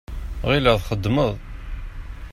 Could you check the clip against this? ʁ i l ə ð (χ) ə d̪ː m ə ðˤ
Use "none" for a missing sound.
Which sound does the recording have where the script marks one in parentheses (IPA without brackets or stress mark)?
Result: χ